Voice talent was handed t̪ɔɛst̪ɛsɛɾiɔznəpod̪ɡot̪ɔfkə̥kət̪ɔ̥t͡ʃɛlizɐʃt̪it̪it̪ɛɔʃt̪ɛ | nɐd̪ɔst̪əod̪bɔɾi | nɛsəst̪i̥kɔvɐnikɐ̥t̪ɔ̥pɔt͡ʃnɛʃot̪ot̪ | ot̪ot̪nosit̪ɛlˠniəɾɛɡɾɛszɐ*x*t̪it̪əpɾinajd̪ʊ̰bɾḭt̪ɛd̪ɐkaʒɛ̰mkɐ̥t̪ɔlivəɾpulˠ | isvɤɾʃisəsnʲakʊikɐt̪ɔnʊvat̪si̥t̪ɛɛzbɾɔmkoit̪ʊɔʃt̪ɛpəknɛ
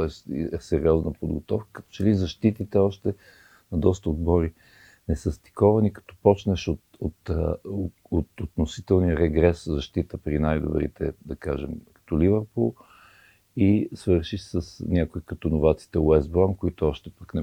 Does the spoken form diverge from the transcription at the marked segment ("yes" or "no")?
yes